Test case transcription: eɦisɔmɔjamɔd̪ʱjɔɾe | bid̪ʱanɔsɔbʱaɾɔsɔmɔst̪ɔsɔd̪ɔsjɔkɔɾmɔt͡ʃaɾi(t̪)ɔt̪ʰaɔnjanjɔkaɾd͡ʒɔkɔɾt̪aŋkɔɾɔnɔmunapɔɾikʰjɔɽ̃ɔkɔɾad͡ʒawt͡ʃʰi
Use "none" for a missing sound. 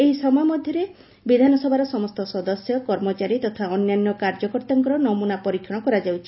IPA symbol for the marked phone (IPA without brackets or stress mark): t̪